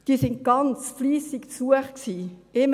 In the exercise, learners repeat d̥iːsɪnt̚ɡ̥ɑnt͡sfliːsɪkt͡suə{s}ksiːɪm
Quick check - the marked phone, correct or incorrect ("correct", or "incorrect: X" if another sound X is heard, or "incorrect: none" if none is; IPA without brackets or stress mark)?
incorrect: χ